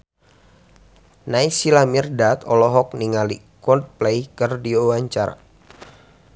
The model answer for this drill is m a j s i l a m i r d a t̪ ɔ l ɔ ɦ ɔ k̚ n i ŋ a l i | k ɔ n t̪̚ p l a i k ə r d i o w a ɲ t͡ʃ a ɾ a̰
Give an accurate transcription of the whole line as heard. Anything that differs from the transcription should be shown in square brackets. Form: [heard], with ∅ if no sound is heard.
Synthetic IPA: [n] a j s i l a m i r d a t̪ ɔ l ɔ ɦ ɔ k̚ n i ŋ a l i | k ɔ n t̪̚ p l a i k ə r d i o w a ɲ t͡ʃ a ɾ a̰